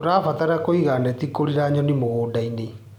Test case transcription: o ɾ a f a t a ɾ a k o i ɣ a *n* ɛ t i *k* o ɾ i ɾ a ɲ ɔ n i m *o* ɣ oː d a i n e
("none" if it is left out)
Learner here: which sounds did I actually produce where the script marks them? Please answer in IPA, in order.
n, k, o

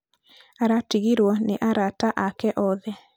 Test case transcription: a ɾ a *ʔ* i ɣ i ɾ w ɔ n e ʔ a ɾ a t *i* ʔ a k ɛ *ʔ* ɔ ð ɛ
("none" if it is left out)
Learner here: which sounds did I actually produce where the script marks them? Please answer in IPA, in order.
t, a, ʔ

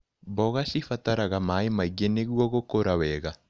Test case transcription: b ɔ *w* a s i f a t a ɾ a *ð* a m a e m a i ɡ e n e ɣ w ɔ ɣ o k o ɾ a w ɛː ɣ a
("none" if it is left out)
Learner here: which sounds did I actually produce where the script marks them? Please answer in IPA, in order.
ɣ, ɣ

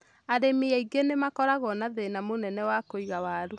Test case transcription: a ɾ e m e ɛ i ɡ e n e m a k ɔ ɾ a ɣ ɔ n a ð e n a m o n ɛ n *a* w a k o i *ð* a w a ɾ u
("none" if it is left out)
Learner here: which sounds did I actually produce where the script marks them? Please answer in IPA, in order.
ɛ, ɣ

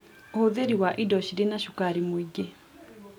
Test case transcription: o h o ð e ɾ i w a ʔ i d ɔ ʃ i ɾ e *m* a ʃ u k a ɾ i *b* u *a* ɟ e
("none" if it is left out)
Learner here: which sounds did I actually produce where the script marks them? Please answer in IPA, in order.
n, m, i

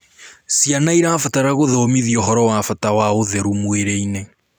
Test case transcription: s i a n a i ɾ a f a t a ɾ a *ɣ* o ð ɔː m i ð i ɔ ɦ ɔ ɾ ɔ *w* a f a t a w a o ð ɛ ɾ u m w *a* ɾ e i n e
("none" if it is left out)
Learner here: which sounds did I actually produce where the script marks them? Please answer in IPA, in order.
ɣ, w, e

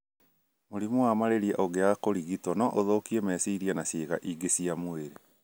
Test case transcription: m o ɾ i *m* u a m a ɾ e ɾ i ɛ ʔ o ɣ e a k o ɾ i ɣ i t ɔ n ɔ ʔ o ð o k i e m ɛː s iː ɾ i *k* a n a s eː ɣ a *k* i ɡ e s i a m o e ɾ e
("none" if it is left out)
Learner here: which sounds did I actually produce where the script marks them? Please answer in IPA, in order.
m, none, ʔ

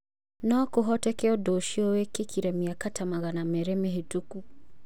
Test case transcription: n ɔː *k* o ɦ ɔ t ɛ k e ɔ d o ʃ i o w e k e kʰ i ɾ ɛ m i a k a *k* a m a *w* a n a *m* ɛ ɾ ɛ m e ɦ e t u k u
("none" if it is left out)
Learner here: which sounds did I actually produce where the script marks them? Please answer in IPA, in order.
k, t, ɣ, m

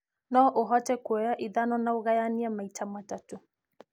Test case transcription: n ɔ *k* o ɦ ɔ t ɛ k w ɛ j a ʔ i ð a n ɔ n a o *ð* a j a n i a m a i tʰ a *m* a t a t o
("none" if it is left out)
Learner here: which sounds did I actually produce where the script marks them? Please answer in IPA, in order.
ʔ, ɣ, m

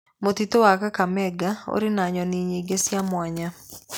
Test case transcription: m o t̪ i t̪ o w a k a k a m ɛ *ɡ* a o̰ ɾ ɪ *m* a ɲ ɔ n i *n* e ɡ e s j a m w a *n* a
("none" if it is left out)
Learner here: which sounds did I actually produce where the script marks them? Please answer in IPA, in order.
ɡ, n, ɲ, ɲ

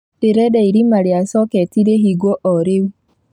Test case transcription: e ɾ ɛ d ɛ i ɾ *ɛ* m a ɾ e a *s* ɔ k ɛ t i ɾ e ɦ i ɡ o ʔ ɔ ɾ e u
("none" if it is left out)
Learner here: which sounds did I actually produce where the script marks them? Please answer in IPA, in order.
i, s

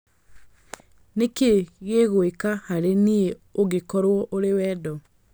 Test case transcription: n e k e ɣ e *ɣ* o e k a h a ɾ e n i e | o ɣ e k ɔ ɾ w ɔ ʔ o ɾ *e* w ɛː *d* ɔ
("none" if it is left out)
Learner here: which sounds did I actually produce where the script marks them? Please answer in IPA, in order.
ɣ, e, d

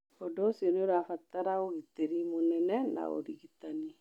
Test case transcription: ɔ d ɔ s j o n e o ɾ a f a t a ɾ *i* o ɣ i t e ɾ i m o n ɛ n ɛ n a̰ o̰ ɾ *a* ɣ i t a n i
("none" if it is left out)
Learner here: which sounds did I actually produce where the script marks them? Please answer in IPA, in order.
a, i

